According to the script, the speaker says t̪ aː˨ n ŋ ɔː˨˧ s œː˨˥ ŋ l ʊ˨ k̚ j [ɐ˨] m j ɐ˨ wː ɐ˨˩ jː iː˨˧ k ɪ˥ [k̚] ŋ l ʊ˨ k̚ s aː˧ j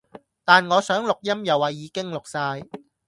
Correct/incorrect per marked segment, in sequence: incorrect, incorrect

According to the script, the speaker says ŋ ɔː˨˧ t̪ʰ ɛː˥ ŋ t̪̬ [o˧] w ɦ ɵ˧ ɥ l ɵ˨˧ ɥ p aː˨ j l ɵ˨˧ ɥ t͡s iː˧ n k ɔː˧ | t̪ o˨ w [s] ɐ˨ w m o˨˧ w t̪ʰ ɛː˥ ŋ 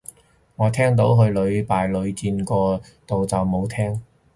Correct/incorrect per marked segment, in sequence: incorrect, incorrect

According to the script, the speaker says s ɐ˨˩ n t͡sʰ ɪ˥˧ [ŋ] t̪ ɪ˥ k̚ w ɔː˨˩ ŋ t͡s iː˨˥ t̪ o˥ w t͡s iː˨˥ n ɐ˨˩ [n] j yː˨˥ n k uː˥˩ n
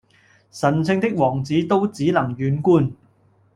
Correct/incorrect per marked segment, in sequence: correct, incorrect

